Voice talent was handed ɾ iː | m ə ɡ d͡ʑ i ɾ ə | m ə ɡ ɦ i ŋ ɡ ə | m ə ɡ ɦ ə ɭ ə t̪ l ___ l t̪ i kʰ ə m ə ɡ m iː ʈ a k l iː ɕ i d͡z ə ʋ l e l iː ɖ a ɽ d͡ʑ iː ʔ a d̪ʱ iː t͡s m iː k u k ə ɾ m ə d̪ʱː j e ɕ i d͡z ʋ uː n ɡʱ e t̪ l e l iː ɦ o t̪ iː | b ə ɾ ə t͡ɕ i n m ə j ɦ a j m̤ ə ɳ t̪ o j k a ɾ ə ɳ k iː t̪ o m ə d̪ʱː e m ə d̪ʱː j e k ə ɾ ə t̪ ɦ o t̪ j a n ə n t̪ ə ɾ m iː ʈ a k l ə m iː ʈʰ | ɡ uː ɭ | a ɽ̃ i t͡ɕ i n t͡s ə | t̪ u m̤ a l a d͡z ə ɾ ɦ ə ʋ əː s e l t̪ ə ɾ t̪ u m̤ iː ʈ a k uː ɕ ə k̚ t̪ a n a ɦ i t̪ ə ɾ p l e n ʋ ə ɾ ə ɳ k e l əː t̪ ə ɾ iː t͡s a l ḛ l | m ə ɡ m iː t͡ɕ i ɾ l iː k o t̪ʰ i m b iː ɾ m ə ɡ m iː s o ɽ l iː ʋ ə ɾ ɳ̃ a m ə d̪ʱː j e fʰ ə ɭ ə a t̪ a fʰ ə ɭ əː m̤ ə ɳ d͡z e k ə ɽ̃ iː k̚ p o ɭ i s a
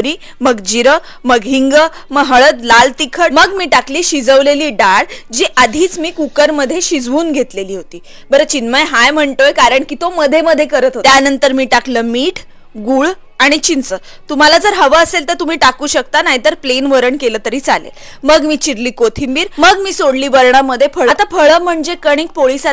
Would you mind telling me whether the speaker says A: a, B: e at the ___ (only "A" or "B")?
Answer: A